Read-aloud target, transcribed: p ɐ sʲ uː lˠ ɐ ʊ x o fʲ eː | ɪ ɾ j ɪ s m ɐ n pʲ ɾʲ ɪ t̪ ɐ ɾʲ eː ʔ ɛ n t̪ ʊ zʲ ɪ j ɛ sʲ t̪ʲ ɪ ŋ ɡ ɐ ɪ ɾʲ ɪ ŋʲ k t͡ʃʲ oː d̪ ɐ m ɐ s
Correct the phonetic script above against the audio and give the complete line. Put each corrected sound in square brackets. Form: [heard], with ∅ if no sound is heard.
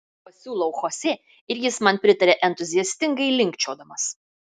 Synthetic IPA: p ɐ sʲ uː lˠ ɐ ʊ x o [sʲ] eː | ɪ ɾ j ɪ s m ɐ n pʲ ɾʲ ɪ t̪ ɐ ɾʲ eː ʔ ɛ n t̪ ʊ zʲ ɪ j ɛ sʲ t̪ʲ ɪ ŋ ɡ ɐ ɪ [lʲ] ɪ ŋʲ k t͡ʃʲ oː d̪ ɐ m ɐ s